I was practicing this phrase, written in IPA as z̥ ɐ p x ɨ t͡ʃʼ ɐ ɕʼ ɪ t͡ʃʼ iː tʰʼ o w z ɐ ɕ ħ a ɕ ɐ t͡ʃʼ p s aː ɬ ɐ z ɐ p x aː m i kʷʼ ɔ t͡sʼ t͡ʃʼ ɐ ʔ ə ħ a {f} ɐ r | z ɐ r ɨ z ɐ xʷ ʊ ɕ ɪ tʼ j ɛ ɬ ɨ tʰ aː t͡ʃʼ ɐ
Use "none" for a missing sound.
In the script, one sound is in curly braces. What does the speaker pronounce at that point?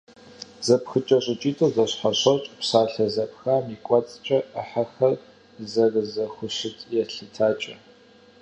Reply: x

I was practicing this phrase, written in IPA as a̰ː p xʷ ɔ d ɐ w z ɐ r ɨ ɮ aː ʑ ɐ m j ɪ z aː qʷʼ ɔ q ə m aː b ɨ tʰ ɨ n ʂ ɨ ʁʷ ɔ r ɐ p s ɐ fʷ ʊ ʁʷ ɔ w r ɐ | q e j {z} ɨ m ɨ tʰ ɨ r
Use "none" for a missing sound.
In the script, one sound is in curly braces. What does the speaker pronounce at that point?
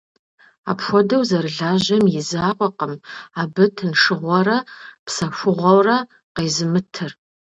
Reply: z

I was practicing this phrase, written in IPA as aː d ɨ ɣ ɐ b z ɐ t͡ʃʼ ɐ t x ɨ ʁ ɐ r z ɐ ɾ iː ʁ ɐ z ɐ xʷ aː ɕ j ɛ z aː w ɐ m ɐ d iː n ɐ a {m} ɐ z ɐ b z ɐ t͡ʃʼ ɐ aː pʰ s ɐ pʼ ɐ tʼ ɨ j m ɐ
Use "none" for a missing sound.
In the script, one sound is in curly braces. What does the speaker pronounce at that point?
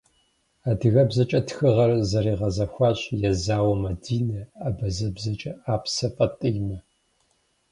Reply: b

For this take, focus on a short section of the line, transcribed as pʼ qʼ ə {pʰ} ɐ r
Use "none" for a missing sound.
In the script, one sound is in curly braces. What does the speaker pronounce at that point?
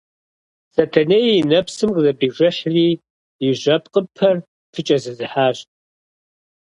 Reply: pʰ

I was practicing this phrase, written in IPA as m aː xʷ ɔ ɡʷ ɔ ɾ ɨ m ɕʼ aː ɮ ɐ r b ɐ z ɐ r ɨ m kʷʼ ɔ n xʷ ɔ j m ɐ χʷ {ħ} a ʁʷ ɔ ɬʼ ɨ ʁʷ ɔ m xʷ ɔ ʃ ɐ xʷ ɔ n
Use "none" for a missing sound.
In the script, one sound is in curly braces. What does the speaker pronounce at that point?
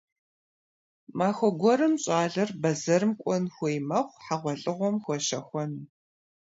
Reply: ħ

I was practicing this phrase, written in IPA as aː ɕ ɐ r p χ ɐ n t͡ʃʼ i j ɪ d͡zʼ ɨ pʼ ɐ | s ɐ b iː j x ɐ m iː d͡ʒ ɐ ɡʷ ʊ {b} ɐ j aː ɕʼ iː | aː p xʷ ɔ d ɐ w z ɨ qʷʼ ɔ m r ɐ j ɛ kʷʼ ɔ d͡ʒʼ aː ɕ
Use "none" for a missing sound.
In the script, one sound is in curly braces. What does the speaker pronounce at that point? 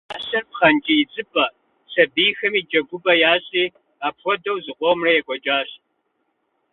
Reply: b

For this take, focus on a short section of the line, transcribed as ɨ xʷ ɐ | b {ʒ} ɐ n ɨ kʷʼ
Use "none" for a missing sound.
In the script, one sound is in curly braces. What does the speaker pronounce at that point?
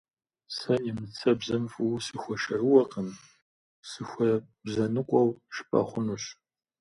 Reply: z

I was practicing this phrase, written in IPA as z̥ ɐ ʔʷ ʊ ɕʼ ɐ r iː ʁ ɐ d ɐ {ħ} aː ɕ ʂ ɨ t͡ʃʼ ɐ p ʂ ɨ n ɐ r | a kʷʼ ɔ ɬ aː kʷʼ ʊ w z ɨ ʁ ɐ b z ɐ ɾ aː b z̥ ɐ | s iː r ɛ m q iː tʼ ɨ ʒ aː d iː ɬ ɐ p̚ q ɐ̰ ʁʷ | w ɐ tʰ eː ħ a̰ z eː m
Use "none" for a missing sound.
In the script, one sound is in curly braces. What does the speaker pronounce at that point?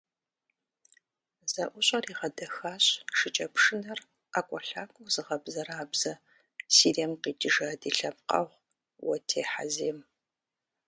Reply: x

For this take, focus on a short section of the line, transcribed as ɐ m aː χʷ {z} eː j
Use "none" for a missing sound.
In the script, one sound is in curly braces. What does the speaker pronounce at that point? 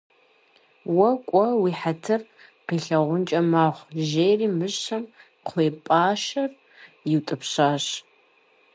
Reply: ʒ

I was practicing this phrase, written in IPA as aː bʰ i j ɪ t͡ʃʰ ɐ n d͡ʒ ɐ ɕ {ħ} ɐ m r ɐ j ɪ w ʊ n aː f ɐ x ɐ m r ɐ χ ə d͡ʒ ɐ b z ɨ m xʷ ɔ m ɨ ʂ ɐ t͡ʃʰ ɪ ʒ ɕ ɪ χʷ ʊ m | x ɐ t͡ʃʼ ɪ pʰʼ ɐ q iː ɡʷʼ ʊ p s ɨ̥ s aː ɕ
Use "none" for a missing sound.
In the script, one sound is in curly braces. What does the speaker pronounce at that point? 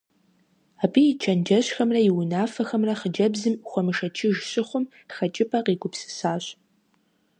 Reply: x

